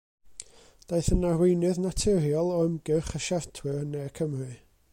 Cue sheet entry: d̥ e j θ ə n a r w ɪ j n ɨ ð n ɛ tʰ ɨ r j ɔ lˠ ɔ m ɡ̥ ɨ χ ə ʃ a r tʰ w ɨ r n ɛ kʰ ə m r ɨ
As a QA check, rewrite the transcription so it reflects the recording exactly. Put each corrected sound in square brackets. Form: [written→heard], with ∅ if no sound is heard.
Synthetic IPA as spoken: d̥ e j θ ə n a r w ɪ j n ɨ ð n [ɛ→a] tʰ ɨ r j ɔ lˠ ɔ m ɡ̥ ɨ χ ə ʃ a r tʰ w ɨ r n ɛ kʰ ə m r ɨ